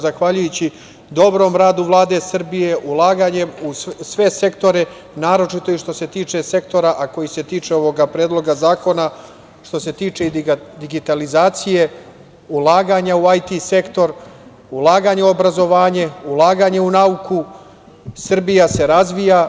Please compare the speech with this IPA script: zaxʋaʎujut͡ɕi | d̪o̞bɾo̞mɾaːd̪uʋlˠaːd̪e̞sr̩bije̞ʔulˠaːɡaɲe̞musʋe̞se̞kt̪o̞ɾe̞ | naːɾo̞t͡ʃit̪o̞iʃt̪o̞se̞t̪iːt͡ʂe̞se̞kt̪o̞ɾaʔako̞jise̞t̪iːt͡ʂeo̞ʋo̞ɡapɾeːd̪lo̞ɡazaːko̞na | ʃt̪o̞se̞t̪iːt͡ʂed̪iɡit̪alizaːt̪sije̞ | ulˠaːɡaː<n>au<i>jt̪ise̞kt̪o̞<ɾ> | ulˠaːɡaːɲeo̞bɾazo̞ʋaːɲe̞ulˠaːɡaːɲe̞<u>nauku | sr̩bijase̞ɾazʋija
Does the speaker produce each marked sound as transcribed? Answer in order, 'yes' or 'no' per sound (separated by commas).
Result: no, no, yes, yes